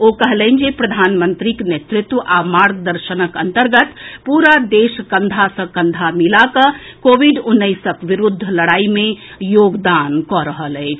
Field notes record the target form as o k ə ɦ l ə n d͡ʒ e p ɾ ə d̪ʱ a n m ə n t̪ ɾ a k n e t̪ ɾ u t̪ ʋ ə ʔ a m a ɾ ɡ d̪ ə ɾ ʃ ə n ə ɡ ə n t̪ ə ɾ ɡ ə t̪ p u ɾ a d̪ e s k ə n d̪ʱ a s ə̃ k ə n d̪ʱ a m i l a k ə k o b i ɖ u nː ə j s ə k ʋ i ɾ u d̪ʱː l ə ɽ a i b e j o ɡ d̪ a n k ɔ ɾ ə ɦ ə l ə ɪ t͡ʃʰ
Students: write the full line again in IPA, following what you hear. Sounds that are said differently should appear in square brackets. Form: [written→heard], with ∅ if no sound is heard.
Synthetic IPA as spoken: o k ə ɦ l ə n d͡ʒ e p ɾ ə d̪ʱ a n m ə n t̪ ɾ [a→i] k n e t̪ ɾ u t̪ ʋ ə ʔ a m a ɾ ɡ d̪ ə ɾ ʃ ə n ə [ɡ→k] ə n t̪ ə ɾ ɡ ə t̪ p u ɾ a d̪ e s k ə n d̪ʱ a s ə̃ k ə n d̪ʱ a m i l a k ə k o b i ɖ u nː ə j s ə k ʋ i ɾ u d̪ʱː l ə ɽ a i [b→m] e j o ɡ d̪ a n k ɔ ɾ ə ɦ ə l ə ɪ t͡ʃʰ